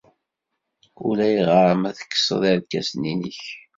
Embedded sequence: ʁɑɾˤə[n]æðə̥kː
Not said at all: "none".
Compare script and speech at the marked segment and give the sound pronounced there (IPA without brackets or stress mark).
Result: m